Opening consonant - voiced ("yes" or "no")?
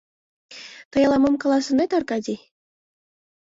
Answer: no